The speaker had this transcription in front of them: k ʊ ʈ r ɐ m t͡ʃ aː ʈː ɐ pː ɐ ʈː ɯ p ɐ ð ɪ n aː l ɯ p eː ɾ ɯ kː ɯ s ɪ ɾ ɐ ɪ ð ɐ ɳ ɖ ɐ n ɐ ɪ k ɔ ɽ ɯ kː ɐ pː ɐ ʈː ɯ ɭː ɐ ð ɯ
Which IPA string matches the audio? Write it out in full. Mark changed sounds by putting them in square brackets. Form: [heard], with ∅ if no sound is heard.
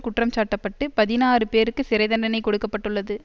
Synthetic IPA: k ʊ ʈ r ɐ m t͡ʃ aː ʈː ɐ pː ɐ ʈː ɯ p ɐ ð ɪ n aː [r] ɯ p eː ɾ ɯ kː ɯ s ɪ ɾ ɐ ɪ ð ɐ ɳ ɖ ɐ n ɐ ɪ k ɔ ɽ ɯ kː ɐ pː ɐ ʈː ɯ ɭː ɐ ð ɯ